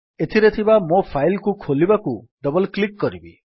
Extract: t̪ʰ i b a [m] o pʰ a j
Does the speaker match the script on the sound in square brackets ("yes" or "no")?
yes